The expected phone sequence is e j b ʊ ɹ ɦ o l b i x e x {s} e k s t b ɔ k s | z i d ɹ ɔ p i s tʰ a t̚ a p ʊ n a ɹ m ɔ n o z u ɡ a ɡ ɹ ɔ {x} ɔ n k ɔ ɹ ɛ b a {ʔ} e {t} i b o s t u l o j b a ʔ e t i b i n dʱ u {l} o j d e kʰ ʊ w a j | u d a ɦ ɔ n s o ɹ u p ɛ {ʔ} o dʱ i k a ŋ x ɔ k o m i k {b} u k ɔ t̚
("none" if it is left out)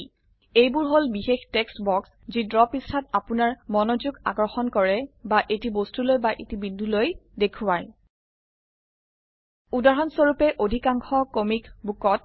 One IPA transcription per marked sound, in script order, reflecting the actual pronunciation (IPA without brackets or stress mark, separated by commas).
t, x, ʔ, t, l, ʔ, b